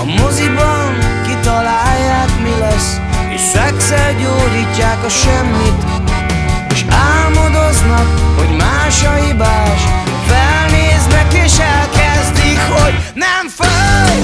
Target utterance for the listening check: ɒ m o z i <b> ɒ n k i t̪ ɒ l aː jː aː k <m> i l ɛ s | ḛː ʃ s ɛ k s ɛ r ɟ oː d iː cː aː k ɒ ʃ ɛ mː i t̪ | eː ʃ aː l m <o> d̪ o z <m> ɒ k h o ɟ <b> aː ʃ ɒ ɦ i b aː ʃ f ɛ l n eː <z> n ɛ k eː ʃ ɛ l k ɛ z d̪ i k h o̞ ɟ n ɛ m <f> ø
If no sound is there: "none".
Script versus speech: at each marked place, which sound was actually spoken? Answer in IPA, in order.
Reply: b, m, o, n, m, z, f

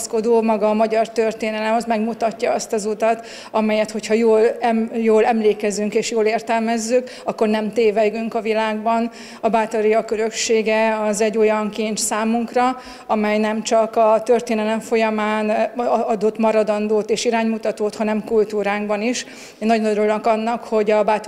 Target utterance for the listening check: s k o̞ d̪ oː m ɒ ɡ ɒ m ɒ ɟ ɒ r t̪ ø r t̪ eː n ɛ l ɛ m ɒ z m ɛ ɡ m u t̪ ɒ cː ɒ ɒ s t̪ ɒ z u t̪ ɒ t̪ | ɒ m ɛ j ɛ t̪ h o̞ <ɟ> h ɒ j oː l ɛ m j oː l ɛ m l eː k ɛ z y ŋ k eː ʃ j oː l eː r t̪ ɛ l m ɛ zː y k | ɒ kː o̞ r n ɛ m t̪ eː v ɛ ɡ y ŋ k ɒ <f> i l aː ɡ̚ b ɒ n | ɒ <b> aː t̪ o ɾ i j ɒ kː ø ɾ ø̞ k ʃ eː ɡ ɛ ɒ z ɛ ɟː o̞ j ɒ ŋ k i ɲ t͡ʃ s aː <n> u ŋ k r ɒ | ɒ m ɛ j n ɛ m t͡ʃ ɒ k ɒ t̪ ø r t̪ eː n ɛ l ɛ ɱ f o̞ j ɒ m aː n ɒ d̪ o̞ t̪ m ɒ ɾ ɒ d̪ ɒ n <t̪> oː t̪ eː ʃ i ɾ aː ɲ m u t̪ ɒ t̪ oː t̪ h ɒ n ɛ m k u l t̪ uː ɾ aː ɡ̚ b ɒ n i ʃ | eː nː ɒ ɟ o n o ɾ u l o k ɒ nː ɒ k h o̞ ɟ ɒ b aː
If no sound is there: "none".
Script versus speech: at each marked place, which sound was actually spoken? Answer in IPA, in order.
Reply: c, v, b, m, d̪

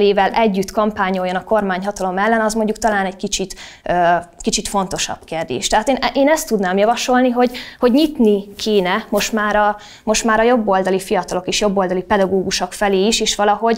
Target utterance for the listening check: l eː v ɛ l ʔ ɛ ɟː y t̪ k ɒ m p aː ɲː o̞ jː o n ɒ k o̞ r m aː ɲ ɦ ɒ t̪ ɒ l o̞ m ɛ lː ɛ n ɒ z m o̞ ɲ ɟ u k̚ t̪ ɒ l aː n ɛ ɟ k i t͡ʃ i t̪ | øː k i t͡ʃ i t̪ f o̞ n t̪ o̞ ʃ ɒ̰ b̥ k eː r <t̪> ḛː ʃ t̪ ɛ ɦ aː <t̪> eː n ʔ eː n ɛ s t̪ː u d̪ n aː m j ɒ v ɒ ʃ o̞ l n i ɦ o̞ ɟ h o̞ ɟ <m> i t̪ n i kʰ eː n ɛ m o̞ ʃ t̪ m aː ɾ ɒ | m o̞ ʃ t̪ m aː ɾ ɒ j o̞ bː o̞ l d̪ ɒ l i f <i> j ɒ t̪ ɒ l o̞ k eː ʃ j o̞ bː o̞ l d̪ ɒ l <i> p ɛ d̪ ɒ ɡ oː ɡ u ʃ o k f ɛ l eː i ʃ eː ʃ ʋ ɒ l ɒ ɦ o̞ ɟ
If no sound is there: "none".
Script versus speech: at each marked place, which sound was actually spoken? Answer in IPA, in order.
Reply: d̪, t̪, ɲ, i, i

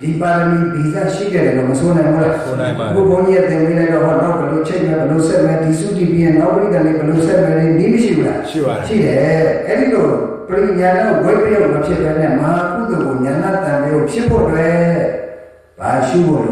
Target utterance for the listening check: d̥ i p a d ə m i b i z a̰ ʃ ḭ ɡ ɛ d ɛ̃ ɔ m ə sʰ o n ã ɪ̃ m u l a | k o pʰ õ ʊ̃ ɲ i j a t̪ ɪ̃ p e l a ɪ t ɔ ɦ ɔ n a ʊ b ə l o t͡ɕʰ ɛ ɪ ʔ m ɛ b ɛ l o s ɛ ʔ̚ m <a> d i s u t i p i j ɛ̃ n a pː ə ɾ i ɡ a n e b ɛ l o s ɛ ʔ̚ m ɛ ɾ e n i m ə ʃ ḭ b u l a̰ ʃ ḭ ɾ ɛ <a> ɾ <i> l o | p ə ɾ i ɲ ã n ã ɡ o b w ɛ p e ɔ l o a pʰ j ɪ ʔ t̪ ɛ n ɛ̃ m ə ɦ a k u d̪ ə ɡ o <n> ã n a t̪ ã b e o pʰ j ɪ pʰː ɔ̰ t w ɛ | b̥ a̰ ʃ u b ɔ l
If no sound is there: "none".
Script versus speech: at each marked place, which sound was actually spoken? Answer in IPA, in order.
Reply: ɛ, ɛ, i, ɲ

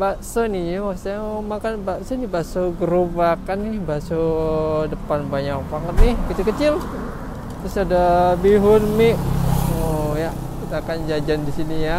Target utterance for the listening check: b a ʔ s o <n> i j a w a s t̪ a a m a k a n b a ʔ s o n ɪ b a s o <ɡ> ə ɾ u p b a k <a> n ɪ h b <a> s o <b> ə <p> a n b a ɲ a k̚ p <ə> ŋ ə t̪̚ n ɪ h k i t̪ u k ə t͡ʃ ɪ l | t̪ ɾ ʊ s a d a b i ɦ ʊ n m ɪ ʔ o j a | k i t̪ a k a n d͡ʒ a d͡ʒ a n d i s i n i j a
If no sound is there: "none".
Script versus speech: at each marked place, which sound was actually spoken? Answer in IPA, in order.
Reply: n, ɡ, a, a, d, p, a

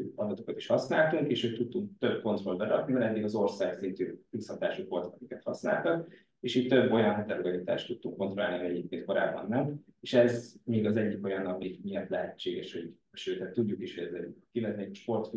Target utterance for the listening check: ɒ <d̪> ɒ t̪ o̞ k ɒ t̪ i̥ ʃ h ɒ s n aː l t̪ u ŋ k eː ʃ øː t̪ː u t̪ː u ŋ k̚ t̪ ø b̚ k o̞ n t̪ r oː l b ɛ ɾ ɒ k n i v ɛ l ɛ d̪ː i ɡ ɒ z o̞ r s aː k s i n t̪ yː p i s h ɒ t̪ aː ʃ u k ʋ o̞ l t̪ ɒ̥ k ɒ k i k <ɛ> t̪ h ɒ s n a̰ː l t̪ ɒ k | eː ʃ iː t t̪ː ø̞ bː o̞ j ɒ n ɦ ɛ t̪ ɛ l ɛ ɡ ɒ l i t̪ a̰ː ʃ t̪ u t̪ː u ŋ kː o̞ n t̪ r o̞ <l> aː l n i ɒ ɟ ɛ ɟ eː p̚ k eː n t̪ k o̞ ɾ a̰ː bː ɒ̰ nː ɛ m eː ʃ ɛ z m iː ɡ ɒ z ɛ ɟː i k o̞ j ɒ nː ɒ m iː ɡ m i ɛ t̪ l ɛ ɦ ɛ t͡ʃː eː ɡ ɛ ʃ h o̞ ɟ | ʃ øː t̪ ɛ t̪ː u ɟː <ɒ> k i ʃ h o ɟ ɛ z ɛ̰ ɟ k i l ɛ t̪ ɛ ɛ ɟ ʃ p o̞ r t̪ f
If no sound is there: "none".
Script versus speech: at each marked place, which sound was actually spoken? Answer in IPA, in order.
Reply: d̪, ɛ, l, u

